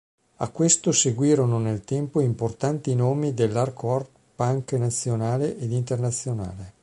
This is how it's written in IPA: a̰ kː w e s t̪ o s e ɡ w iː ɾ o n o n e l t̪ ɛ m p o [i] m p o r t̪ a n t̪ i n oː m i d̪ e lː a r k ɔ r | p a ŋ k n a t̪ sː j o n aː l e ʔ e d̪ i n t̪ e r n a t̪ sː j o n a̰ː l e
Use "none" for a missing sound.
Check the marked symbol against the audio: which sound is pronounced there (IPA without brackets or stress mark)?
i